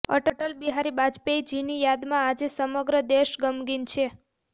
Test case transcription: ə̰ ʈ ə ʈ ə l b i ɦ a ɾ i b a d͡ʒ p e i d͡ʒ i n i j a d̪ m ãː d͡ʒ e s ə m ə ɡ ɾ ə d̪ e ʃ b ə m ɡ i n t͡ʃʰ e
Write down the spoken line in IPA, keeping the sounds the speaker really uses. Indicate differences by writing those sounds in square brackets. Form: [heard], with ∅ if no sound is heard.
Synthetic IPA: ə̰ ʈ ə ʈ ə l b i ɦ a ɾ i b a d͡ʒ p e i d͡ʒ i n i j a d̪ m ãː d͡ʒ e s ə m ə ɡ ɾ ə d̪ e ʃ [ɡ] ə m ɡ i n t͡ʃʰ e